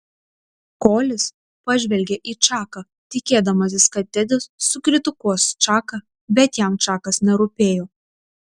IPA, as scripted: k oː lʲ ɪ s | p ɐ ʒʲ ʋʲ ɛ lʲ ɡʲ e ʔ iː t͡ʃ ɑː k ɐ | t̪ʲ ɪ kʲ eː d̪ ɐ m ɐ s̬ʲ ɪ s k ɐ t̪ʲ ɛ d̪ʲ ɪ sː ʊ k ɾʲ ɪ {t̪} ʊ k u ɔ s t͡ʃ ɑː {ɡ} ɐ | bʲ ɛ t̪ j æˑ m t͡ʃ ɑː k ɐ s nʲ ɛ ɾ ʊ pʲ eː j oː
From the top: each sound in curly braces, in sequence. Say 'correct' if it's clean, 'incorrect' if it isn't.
correct, incorrect: k

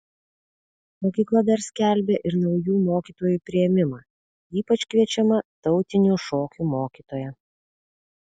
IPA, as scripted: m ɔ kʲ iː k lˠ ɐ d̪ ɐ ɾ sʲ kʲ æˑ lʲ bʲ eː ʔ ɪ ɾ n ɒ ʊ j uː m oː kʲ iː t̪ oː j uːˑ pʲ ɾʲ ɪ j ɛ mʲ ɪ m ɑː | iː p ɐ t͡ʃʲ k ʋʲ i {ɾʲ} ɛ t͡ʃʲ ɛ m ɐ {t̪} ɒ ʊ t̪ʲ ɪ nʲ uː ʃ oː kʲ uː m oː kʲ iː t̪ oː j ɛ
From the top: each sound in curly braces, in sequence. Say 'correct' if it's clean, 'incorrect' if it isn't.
incorrect: none, correct

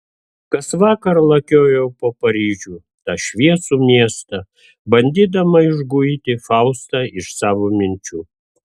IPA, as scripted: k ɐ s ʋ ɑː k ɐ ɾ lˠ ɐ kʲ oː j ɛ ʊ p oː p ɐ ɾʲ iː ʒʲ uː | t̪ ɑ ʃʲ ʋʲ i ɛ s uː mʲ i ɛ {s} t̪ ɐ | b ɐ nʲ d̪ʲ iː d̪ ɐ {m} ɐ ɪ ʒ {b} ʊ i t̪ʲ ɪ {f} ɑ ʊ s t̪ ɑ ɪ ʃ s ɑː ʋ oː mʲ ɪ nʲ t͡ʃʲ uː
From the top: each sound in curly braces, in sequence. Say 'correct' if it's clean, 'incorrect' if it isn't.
correct, correct, incorrect: ɡ, correct

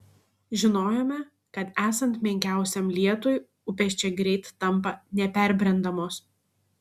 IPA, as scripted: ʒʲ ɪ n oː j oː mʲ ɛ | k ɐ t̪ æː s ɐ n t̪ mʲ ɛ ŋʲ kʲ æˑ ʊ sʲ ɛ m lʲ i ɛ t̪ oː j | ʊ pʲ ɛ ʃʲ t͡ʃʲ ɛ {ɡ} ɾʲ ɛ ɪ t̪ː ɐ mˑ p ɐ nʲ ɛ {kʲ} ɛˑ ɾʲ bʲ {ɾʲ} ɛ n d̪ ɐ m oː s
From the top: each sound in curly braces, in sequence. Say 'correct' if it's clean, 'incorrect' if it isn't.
correct, incorrect: pʲ, correct

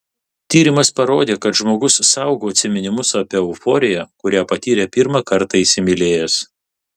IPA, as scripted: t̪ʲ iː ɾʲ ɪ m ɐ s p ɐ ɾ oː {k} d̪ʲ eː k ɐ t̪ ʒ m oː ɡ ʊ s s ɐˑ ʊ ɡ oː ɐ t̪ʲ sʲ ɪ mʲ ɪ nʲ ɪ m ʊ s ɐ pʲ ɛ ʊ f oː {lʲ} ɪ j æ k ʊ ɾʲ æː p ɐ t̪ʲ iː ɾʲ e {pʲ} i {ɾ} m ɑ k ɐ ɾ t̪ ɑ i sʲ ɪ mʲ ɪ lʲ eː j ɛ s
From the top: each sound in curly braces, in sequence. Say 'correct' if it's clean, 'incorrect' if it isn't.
incorrect: none, incorrect: ɾʲ, correct, correct

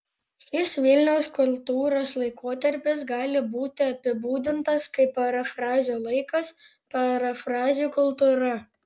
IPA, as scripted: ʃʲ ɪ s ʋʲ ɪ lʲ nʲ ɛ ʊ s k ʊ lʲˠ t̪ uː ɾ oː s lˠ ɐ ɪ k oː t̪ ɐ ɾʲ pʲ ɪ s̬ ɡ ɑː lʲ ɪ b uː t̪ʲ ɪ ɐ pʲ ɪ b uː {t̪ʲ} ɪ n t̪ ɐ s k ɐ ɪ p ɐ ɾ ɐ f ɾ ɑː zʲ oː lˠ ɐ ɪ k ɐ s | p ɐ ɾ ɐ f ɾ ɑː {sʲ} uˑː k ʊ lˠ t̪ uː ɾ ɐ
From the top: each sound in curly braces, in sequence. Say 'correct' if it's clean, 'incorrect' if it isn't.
incorrect: d̪ʲ, incorrect: zʲ

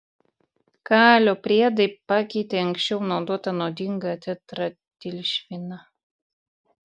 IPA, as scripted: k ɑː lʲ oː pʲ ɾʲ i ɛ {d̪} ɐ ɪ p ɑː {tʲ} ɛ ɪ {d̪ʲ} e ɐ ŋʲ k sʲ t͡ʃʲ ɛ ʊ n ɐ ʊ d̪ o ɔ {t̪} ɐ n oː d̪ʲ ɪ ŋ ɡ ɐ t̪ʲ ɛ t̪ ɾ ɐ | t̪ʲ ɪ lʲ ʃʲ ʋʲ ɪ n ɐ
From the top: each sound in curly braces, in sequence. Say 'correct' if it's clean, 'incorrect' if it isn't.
correct, incorrect: kʲ, incorrect: t̪ʲ, correct

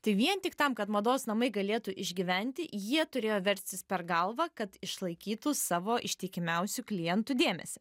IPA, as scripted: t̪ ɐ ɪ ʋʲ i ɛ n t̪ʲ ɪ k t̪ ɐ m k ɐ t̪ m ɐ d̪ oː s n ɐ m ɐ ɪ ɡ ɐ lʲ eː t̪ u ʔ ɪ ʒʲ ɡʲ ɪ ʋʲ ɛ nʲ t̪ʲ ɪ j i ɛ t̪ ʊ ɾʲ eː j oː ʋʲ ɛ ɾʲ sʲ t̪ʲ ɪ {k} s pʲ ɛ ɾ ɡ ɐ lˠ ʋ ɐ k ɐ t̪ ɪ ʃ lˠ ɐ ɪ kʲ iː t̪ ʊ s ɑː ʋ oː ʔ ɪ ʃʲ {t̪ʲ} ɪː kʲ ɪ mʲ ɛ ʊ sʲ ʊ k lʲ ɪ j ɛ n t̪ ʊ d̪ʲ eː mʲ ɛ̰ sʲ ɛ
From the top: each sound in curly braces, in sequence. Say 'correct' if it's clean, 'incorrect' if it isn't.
incorrect: none, correct

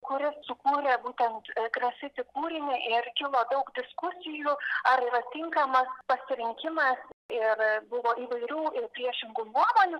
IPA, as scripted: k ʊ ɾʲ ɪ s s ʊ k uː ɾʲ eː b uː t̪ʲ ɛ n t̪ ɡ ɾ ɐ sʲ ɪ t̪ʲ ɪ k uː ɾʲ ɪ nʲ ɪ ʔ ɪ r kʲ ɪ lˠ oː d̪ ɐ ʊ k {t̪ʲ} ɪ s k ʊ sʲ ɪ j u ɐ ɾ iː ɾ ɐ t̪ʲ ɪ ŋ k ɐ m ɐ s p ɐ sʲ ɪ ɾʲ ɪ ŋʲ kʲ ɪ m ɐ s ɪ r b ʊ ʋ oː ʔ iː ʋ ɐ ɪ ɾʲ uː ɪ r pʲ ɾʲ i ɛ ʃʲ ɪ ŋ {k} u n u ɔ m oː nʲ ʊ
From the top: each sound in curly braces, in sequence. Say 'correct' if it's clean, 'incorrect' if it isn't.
incorrect: d̪ʲ, incorrect: ɡ

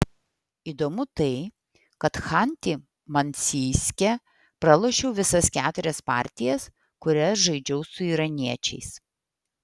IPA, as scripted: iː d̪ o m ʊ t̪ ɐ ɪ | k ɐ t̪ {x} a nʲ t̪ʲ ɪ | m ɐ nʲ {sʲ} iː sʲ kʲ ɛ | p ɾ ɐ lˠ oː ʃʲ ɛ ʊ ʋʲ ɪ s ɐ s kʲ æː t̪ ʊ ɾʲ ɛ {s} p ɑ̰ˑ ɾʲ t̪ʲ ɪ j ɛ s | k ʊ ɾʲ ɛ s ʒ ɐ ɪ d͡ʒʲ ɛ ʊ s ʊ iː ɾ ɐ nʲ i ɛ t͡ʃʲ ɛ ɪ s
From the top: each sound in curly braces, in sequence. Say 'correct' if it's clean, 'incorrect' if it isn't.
correct, correct, correct

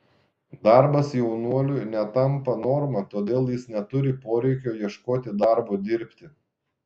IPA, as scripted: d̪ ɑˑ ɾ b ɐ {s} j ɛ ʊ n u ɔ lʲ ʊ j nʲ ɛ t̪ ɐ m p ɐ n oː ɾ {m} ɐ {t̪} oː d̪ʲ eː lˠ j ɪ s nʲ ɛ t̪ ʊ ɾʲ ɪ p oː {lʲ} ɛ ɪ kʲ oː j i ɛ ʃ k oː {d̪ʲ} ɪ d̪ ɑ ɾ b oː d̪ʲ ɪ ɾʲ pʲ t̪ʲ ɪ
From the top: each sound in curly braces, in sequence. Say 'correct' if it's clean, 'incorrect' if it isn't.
correct, correct, correct, incorrect: ɾʲ, incorrect: t̪ʲ

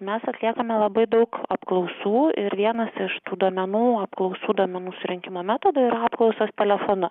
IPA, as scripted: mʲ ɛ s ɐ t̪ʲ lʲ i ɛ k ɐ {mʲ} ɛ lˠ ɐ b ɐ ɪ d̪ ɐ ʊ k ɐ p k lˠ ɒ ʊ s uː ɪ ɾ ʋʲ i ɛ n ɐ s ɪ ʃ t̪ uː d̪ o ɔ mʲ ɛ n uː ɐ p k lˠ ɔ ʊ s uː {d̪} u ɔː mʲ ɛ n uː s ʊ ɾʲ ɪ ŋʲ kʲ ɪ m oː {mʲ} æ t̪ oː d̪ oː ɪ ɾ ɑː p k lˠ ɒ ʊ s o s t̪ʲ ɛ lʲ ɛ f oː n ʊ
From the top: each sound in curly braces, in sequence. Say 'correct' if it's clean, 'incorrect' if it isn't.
correct, correct, correct

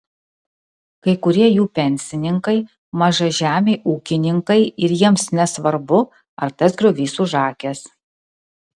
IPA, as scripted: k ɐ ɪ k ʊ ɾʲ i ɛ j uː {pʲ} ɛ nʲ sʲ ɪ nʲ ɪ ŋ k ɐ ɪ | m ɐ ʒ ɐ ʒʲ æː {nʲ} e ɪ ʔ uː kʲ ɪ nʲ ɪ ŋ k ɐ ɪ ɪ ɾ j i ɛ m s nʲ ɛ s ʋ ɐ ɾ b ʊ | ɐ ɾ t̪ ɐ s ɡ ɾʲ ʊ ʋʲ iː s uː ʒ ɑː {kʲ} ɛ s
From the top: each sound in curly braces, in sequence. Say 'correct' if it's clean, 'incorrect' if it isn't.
correct, incorrect: mʲ, correct

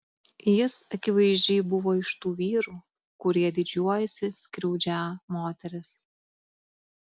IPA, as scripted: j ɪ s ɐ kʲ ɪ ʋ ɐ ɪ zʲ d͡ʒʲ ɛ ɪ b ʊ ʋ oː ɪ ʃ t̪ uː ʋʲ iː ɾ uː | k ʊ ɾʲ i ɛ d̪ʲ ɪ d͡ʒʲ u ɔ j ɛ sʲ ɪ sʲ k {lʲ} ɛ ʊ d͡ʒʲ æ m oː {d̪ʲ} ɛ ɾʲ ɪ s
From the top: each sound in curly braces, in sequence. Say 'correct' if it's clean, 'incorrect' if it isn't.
incorrect: ɾʲ, incorrect: t̪ʲ

